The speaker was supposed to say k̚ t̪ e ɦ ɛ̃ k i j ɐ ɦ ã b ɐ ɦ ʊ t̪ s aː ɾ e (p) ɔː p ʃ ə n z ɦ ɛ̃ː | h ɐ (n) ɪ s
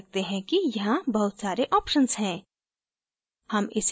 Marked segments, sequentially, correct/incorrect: incorrect, incorrect

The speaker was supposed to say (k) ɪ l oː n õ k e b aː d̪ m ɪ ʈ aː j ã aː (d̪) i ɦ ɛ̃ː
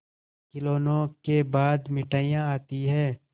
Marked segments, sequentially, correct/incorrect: correct, incorrect

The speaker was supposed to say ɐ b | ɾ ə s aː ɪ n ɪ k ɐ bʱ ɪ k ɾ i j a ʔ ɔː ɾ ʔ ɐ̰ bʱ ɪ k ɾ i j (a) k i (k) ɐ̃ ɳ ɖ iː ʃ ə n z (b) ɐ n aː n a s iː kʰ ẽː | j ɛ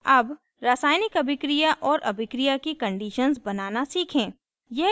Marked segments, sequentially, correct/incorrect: correct, correct, correct

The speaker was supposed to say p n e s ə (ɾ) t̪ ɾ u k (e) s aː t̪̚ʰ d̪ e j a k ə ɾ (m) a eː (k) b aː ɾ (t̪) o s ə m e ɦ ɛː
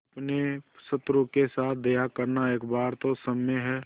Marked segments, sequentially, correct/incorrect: incorrect, correct, incorrect, correct, correct

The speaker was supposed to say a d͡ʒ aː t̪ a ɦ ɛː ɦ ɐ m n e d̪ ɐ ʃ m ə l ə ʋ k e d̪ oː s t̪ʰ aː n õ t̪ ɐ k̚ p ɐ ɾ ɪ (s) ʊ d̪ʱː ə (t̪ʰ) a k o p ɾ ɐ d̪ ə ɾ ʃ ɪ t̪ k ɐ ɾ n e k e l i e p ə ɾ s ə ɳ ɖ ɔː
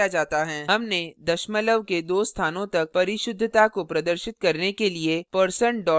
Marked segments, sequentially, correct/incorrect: incorrect, incorrect

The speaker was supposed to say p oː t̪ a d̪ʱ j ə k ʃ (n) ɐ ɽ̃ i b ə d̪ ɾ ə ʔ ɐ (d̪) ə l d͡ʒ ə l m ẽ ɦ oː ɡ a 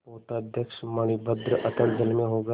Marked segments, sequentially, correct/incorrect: incorrect, incorrect

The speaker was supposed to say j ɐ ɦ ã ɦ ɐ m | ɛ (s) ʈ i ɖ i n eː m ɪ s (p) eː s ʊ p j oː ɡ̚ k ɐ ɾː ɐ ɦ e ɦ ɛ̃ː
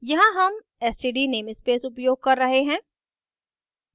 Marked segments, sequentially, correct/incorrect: correct, correct

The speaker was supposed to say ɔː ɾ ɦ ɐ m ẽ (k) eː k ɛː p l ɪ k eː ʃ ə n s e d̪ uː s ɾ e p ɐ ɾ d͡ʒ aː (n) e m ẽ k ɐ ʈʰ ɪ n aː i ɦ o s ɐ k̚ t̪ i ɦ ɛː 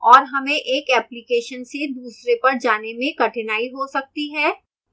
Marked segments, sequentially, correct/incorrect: incorrect, correct

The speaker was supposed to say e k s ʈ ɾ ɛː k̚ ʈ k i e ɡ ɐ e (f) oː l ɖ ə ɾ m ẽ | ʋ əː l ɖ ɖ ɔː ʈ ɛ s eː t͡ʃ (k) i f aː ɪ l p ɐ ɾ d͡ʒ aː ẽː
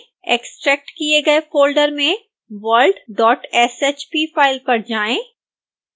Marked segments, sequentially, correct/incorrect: correct, incorrect

